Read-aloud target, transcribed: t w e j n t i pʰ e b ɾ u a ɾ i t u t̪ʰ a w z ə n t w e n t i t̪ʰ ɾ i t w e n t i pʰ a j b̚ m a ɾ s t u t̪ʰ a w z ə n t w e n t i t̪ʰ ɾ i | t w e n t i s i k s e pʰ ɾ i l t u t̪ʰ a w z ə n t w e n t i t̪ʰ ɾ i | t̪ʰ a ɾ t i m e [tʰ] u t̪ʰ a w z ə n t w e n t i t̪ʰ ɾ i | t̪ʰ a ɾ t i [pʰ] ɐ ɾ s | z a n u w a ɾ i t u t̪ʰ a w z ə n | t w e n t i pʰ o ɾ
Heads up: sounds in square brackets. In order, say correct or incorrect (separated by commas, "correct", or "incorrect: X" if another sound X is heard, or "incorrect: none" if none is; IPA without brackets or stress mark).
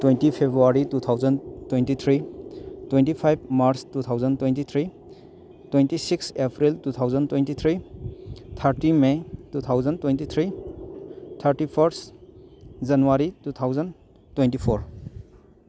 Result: incorrect: t, correct